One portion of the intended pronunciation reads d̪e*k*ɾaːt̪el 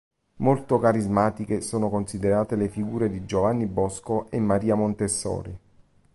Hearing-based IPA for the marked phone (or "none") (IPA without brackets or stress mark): none